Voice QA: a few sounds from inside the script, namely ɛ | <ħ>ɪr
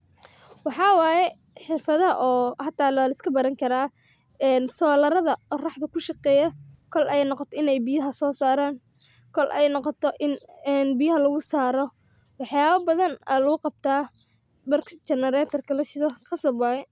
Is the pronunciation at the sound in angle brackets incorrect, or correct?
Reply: correct